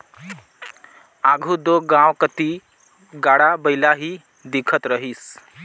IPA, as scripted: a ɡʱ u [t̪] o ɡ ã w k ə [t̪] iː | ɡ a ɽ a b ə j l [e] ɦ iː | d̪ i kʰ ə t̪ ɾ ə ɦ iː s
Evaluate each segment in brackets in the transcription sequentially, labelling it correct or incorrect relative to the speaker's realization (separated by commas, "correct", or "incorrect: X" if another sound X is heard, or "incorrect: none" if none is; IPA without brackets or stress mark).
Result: incorrect: d̪, correct, incorrect: a